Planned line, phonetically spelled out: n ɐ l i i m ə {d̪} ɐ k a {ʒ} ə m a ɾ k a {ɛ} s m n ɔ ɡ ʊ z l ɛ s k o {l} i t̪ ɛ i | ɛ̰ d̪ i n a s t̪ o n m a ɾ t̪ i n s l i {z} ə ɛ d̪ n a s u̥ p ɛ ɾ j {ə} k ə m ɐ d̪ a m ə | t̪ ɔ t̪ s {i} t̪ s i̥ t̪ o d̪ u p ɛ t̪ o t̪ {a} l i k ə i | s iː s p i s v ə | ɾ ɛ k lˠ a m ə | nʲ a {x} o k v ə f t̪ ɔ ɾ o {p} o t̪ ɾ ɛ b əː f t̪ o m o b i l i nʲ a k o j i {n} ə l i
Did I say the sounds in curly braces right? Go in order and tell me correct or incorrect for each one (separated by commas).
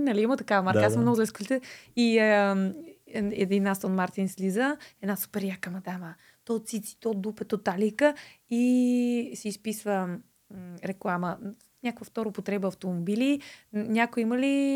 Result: incorrect, incorrect, incorrect, correct, correct, incorrect, correct, correct, incorrect, correct, incorrect